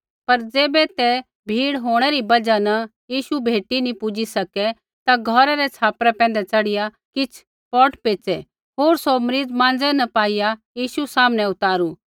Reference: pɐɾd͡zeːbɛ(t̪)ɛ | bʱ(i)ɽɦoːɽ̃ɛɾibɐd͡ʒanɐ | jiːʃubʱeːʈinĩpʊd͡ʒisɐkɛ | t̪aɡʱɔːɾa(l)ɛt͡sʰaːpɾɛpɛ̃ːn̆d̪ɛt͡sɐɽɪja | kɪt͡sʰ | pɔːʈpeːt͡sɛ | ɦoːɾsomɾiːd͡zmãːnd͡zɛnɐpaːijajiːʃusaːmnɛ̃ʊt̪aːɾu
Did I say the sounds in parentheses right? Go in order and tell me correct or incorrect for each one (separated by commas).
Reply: correct, incorrect, incorrect